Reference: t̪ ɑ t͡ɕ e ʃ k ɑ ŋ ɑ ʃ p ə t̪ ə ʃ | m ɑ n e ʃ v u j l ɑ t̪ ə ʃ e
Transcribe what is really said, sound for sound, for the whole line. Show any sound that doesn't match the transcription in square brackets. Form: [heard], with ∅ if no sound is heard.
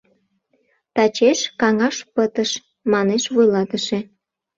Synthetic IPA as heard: t̪ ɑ t͡ɕ e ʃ k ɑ ŋ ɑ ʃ p ə t̪ ə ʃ | m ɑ n e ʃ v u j l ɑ t̪ ə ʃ e